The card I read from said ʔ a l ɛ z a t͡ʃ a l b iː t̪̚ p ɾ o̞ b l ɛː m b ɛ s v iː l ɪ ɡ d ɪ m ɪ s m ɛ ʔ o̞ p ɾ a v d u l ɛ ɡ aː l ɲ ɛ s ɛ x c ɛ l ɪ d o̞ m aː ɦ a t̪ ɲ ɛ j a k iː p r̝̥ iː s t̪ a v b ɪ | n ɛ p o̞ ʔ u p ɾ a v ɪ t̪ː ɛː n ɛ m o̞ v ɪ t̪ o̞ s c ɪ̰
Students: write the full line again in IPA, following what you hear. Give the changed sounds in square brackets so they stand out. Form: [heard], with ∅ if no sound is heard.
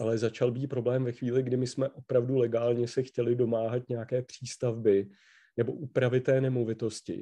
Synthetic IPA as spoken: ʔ a l ɛ z a t͡ʃ a l b iː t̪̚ p ɾ o̞ b l ɛː m [v] ɛ [x] v iː l ɪ ɡ d ɪ m ɪ s m ɛ ʔ o̞ p ɾ a v d u l ɛ ɡ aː l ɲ ɛ s ɛ x c ɛ l ɪ d o̞ m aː ɦ a t̪ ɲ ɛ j a k [ɛː] p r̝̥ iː s t̪ a v b ɪ | n ɛ [b] o̞ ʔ u p ɾ a v ɪ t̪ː ɛː n ɛ m o̞ v ɪ t̪ o̞ s c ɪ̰